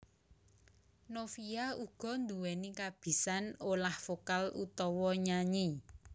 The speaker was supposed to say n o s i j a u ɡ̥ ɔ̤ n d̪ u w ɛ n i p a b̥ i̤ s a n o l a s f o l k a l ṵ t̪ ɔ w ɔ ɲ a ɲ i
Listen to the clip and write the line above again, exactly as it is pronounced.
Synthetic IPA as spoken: n o f i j a u ɡ̥ ɔ̤ n d̪ u w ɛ n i k a b̥ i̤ s a n o l a h f o k a l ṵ t̪ ɔ w ɔ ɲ a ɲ i